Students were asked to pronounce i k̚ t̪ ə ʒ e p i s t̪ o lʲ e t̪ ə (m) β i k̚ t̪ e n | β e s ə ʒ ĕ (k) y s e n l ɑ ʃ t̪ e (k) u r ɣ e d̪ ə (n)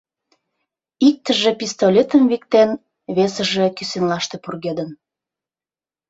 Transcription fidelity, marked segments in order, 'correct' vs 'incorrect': correct, correct, incorrect: p, correct

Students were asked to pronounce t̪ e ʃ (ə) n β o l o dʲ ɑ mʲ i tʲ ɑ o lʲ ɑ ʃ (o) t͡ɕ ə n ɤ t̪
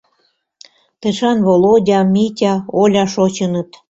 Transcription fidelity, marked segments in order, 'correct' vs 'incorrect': incorrect: ɑ, correct

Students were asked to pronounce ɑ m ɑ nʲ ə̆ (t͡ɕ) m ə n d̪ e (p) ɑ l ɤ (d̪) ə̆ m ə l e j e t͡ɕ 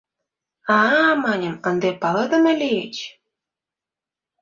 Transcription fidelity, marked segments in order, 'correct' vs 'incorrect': incorrect: none, correct, correct

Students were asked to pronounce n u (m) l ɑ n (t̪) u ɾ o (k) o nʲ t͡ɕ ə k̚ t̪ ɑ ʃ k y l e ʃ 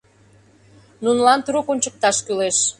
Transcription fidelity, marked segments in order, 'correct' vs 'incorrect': incorrect: n, correct, correct

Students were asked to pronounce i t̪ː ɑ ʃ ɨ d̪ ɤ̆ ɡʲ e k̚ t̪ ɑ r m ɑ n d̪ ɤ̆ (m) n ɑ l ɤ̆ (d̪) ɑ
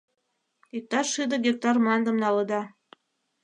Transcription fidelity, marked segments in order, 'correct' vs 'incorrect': correct, correct

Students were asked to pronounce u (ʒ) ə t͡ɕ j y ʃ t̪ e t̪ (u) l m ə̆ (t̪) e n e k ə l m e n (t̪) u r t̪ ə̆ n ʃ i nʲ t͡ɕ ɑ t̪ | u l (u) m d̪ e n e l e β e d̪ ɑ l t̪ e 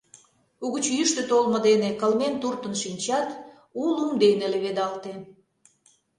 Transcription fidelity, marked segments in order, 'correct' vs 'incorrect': incorrect: ɣ, incorrect: o, incorrect: d̪, correct, correct

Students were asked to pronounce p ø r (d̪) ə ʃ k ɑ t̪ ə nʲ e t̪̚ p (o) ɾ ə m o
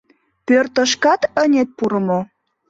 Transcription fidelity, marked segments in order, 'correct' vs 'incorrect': incorrect: t̪, incorrect: u

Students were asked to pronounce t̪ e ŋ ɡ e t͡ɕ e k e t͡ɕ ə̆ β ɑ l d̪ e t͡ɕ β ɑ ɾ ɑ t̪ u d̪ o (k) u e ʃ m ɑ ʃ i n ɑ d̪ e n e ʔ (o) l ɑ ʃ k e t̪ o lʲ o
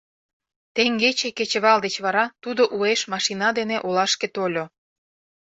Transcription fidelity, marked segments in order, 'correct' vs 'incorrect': incorrect: ʔ, correct

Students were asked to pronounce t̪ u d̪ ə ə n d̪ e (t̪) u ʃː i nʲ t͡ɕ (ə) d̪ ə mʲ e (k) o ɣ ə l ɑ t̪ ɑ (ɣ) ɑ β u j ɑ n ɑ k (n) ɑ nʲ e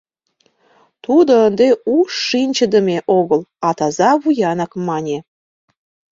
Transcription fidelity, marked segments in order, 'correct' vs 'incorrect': incorrect: none, correct, incorrect: ʔ, incorrect: z, incorrect: m

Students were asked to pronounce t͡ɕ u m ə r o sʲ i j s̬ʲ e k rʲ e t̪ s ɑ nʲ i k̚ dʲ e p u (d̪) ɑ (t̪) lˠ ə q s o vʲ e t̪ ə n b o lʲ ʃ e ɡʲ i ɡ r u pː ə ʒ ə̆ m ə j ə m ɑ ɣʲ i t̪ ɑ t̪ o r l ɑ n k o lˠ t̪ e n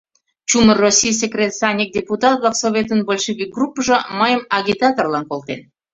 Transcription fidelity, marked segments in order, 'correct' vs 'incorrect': incorrect: t̪, correct

